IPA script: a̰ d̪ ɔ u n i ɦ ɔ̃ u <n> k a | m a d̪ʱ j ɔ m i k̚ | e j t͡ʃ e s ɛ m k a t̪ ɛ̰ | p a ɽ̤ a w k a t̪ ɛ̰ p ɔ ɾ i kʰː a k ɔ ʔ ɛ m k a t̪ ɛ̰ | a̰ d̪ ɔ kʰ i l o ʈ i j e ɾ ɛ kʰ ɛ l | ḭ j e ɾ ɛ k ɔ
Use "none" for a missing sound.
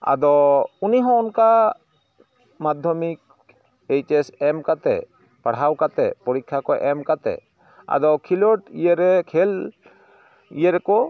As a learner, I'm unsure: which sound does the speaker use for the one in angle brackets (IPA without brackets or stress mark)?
n